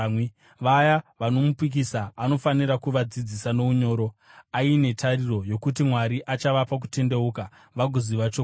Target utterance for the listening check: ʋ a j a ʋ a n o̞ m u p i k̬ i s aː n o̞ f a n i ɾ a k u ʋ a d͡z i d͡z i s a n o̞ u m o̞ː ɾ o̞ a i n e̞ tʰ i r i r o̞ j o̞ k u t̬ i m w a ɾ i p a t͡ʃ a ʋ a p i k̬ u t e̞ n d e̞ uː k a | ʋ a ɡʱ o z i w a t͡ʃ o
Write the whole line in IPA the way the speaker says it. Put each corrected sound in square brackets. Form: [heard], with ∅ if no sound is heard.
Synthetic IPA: ʋ a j a ʋ a n o̞ m u p i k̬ i s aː n o̞ f a n i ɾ a k u ʋ a d͡z i d͡z i s a n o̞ u [ɲ] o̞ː ɾ o̞ a i n e̞ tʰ [a] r i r o̞ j o̞ k u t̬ i m w a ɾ i [ʔ] a t͡ʃ a ʋ a p [a] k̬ u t e̞ n d e̞ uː k a | ʋ a ɡʱ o z i [ʋ] a t͡ʃ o

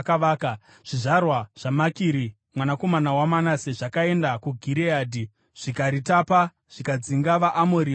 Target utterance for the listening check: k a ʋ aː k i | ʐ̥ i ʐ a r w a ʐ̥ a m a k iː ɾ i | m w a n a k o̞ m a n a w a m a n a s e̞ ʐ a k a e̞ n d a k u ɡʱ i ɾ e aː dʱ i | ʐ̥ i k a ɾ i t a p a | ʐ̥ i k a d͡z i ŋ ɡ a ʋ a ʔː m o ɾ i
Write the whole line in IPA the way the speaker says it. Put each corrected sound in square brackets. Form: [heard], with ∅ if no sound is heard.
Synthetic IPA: k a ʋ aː k [a] | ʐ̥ i ʐ a r w a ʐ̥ a m a k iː ɾ i | m w a n a k o̞ m a n a w a m a n a s e̞ ʐ a k a e̞ n d a k u ɡʱ i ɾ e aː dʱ i | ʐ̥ i k a ɾ i t a p a | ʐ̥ i k a d͡z i ŋ ɡ a ʋ a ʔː m o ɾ i

